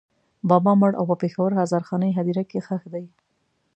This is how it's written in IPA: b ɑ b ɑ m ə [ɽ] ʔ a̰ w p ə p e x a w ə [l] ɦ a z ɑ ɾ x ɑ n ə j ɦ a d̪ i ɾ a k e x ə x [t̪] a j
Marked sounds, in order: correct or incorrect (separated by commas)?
correct, incorrect, incorrect